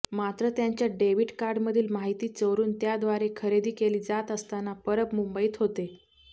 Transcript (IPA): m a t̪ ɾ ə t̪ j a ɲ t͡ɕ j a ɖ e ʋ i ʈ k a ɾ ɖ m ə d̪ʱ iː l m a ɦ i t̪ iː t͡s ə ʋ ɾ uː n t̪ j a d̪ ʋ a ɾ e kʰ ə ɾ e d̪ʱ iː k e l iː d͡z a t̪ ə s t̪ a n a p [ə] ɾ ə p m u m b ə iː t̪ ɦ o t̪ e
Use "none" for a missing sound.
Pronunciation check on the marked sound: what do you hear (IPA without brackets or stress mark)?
ə